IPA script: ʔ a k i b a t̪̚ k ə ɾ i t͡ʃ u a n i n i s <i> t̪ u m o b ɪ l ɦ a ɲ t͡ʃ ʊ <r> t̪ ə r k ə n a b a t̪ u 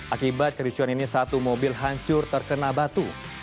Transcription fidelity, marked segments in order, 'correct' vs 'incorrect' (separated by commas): incorrect, correct